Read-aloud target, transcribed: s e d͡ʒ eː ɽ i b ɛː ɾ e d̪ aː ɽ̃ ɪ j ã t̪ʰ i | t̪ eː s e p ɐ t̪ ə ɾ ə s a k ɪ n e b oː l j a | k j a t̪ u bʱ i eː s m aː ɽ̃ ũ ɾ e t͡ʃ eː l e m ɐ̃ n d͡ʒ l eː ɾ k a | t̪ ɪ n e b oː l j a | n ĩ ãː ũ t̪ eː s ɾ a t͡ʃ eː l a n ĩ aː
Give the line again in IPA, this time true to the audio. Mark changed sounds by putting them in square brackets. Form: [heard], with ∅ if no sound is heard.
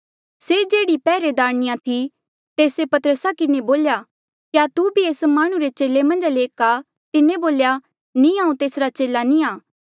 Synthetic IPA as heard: s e d͡ʒ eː ɽ i [p] ɛː ɾ e d̪ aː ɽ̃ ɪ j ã t̪ʰ i | t̪ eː s e p ɐ t̪ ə ɾ ə s a k ɪ n e b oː l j a | k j a t̪ u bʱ i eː s m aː ɽ̃ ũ ɾ e t͡ʃ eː l e m ɐ̃ n d͡ʒ l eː [∅] k a | t̪ ɪ n e b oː l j a | n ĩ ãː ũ t̪ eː s ɾ a t͡ʃ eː l a n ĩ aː

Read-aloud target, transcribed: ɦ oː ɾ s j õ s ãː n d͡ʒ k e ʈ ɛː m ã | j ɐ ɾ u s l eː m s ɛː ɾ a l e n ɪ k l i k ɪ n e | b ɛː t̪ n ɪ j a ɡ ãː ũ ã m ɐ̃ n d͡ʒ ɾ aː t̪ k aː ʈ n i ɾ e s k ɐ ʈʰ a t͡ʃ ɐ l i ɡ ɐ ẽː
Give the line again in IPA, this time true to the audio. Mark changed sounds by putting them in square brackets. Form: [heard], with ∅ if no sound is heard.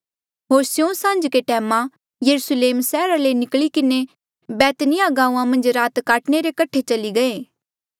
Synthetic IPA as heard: ɦ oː ɾ s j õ s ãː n d͡ʒ k e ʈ ɛː m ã | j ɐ ɾ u s l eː m s ɛː ɾ a l e n ɪ k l i k ɪ n e | b ɛː t̪ n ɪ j a ɡ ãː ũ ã m ɐ̃ n d͡ʒ ɾ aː t̪ k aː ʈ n [e] ɾ e [∅] k ɐ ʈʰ [e] t͡ʃ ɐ l i ɡ ɐ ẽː

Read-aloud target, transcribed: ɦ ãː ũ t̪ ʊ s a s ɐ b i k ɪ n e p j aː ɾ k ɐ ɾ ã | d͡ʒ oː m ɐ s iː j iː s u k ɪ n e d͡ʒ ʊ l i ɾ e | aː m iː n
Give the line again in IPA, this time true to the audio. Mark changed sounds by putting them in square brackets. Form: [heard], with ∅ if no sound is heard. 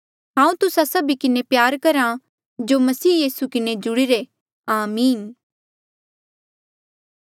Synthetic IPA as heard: ɦ ãː ũ t̪ ʊ s a s ɐ b i k ɪ n e p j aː ɾ k ɐ ɾ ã | d͡ʒ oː m ɐ s iː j iː s u k ɪ n e d͡ʒ ʊ [ɽ] i ɾ e | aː m iː n

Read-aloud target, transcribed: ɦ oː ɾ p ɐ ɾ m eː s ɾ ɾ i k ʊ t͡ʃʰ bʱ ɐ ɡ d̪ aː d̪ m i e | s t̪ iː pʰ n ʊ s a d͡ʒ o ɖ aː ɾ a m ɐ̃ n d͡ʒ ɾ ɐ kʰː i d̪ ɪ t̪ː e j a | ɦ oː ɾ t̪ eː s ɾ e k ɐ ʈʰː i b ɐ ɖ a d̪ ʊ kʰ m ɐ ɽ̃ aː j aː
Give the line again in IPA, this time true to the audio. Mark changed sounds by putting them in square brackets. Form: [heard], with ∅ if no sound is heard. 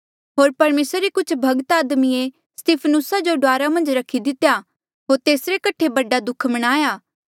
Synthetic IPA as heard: ɦ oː ɾ p ɐ ɾ m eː s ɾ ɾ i k ʊ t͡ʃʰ bʱ ɐ ɡ [t̪] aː d̪ m i e | s t̪ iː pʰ n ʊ s a d͡ʒ o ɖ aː ɾ a m ɐ̃ n d͡ʒ ɾ ɐ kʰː i d̪ ɪ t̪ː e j a | ɦ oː ɾ t̪ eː s ɾ e k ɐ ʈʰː [e] b ɐ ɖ a d̪ ʊ kʰ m ɐ ɽ̃ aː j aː

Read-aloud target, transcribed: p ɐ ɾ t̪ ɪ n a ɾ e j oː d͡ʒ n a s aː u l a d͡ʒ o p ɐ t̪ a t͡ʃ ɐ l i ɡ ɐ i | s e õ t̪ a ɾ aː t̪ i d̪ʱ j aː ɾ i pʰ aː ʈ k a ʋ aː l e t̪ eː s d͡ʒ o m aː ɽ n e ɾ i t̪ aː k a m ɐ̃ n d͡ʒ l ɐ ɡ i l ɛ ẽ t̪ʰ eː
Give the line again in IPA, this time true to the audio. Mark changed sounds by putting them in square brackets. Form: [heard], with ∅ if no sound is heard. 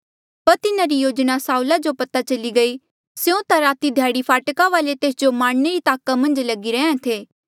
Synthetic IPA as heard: p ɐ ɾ t̪ ɪ n a ɾ [i] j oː d͡ʒ n a s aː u l a d͡ʒ o p ɐ t̪ a t͡ʃ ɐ l i ɡ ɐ i | s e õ t̪ a ɾ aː t̪ i d̪ʱ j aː [ɽ] i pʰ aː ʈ k a ʋ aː l e t̪ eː s d͡ʒ o m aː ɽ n e ɾ i t̪ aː k a m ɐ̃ n d͡ʒ l ɐ ɡ i [ɾ] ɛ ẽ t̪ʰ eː

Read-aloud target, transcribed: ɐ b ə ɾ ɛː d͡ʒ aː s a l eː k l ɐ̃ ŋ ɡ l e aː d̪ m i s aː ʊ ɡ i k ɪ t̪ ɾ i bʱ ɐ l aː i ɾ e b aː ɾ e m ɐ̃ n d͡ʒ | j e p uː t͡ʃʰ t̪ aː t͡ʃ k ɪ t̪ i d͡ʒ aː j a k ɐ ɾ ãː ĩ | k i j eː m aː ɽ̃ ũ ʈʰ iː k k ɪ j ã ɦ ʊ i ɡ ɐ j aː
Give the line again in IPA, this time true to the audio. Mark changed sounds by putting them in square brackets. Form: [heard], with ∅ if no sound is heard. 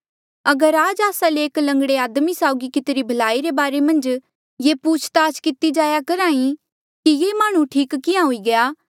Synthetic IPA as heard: ɐ [ɡ] ə ɾ [aː] d͡ʒ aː s a l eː k l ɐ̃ ŋ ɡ [ɽ] e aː d̪ m i s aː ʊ ɡ i k ɪ t̪ ɾ i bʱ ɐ l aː i ɾ e b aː ɾ e m ɐ̃ n d͡ʒ | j e p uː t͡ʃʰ t̪ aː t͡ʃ k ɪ t̪ i d͡ʒ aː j a k ɐ ɾ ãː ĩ | k i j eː m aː ɽ̃ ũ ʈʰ iː k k ɪ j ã ɦ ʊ i ɡ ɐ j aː

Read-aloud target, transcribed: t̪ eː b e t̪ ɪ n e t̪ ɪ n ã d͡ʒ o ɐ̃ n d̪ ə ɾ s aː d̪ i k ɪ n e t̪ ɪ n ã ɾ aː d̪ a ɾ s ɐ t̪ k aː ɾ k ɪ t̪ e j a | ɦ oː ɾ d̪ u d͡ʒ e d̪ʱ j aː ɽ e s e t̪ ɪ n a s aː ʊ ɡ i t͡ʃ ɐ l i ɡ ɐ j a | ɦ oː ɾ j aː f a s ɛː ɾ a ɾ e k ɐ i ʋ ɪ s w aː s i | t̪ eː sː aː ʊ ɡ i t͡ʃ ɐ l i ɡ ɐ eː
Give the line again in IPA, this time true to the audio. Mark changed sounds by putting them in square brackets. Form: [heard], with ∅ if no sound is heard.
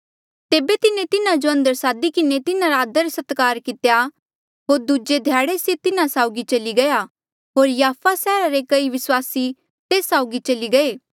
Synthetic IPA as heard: t̪ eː b e t̪ ɪ n e t̪ ɪ n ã d͡ʒ o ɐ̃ n d̪ ə ɾ s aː d̪ i k ɪ n e t̪ ɪ n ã ɾ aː d̪ [ə] ɾ s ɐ t̪ k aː ɾ k ɪ t̪ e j a | ɦ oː ɾ d̪ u d͡ʒ e d̪ʱ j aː ɽ e s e t̪ ɪ n a s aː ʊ ɡ i t͡ʃ ɐ l i ɡ ɐ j a | ɦ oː ɾ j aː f a s ɛː ɾ a ɾ e k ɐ i ʋ ɪ s w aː s i | t̪ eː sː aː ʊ ɡ i t͡ʃ ɐ l i ɡ ɐ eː

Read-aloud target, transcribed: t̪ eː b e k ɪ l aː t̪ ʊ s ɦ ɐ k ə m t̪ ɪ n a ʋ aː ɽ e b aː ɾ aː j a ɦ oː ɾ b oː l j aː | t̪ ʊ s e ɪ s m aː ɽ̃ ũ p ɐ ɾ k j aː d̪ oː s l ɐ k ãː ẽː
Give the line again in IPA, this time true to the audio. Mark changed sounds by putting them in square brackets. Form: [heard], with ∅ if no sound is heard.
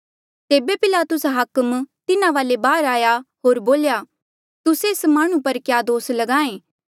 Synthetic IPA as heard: t̪ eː b e [p] ɪ l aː t̪ ʊ s ɦ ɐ k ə m t̪ ɪ n a ʋ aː [l] e b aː ɾ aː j a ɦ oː ɾ b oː l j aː | t̪ ʊ s e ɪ s m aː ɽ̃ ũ p ɐ ɾ k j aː d̪ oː s l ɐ [ɡ] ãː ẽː

